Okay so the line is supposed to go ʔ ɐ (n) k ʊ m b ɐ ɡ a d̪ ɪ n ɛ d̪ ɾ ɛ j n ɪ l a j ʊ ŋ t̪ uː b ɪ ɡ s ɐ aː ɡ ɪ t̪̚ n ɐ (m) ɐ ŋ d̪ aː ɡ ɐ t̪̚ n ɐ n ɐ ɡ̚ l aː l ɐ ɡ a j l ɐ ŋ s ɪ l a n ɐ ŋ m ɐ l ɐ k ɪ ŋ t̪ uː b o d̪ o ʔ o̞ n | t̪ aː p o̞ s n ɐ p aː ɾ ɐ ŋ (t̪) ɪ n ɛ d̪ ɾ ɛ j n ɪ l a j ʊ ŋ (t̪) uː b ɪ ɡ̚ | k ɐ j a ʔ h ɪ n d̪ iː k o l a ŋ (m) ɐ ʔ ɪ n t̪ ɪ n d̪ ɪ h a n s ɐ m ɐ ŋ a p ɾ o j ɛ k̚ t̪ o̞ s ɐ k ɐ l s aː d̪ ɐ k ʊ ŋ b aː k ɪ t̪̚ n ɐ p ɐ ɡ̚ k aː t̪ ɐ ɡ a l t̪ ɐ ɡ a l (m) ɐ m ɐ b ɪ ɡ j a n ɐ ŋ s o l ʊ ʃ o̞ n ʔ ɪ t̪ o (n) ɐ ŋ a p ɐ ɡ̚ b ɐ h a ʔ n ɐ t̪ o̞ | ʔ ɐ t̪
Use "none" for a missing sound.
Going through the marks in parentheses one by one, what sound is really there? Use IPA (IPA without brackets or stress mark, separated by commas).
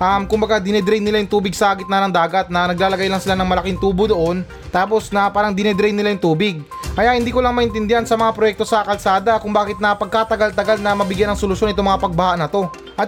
m, n, d̪, t̪, m, n, m